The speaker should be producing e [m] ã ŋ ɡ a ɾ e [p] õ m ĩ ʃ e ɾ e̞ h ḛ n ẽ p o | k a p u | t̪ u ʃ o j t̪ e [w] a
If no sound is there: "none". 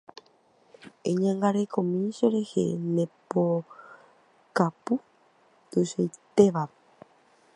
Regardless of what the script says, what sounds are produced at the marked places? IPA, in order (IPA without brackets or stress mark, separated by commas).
ɲ, k, ʋ